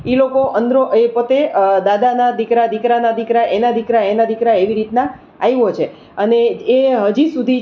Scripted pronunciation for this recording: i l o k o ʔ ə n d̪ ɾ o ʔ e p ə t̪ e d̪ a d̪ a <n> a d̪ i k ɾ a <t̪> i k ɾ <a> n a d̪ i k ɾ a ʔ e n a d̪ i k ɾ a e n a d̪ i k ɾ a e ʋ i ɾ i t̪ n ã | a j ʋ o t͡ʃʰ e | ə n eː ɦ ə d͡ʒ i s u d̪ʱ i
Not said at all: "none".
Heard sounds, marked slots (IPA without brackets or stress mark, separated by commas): n, d̪, a